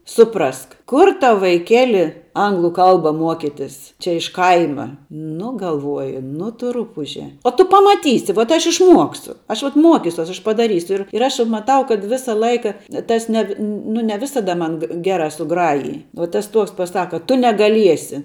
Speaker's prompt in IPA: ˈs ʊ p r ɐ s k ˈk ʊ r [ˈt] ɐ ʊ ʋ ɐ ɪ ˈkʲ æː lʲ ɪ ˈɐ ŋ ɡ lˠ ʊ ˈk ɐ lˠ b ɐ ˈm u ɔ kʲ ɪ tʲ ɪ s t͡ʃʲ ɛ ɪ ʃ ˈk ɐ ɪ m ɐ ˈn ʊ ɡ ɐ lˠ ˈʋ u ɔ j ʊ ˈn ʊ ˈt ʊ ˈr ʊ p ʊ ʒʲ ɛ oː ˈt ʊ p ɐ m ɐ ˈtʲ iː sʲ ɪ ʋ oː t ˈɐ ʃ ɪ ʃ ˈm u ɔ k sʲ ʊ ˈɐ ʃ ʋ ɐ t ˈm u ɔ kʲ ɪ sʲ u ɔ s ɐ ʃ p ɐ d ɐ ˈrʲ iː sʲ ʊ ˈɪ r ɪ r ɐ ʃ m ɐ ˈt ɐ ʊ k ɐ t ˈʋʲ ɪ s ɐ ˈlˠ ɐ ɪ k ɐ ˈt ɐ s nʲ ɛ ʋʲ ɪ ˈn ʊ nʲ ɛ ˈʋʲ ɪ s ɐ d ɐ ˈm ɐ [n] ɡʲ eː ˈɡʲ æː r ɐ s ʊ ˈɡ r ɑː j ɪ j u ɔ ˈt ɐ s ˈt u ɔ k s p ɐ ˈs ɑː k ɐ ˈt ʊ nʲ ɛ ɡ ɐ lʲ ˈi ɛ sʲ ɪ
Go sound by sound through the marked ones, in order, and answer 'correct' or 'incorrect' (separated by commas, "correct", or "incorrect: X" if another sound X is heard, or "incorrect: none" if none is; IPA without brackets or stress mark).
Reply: correct, correct